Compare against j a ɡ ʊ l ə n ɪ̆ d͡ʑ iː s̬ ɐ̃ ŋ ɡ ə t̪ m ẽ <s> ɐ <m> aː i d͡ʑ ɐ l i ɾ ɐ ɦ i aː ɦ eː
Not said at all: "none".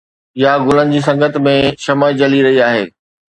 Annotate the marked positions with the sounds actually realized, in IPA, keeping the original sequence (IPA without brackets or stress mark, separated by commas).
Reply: ʃ, m